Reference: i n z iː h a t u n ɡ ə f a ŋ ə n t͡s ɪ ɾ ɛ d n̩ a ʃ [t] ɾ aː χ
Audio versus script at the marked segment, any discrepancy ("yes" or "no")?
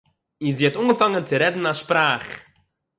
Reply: yes